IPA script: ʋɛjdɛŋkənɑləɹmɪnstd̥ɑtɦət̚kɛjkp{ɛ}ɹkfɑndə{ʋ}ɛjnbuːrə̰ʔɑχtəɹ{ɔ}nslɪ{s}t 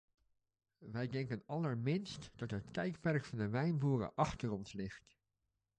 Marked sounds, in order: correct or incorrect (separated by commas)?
correct, correct, correct, incorrect